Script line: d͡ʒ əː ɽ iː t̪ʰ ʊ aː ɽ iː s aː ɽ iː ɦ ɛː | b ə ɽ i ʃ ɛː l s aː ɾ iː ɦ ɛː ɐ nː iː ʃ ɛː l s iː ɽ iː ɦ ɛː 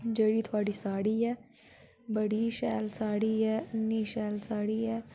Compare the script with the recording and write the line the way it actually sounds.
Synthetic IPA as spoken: d͡ʒ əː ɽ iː t̪ʰ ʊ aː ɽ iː s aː ɽ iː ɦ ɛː | b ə ɽ i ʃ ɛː l s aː ɽ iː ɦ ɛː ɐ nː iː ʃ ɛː l s aː ɽ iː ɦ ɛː